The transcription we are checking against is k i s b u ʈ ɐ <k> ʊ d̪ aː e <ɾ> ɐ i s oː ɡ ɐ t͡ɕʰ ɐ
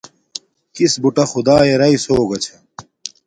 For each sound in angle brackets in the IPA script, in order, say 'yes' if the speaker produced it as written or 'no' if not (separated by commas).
no, yes